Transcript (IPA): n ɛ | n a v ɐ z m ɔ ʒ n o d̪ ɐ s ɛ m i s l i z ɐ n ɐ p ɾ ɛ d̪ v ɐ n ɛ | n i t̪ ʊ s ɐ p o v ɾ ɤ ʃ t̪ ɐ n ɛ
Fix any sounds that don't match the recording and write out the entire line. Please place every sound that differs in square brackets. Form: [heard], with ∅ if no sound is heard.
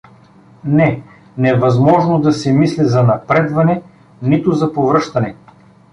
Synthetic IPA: n ɛ | n [ɛ] v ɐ z m ɔ ʒ n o d̪ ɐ s ɛ m i s l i z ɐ n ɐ p ɾ ɛ d̪ v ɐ n ɛ | n i t̪ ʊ [z] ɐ p o v ɾ ɤ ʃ t̪ ɐ n ɛ